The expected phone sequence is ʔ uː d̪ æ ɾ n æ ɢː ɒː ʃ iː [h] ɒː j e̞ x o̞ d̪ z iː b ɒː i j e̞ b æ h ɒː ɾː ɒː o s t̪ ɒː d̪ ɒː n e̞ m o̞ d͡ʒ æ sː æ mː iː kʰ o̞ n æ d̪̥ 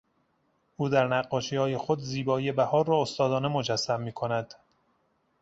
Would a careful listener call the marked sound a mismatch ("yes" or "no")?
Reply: no